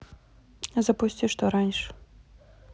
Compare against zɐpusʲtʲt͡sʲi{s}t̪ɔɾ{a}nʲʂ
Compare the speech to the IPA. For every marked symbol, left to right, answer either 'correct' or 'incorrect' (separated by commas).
incorrect, correct